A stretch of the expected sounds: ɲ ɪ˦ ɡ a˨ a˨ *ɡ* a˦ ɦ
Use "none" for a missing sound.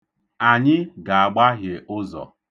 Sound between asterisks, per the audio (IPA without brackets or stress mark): ɡ͡b